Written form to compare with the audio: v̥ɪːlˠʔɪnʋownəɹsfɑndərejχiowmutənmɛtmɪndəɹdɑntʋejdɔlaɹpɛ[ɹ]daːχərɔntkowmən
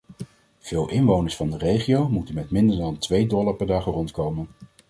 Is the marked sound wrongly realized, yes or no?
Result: no